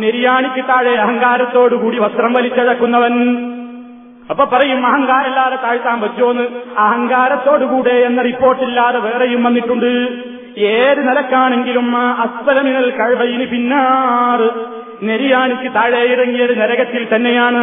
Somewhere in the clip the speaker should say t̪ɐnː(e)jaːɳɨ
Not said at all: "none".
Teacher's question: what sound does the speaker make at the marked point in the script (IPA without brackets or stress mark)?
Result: e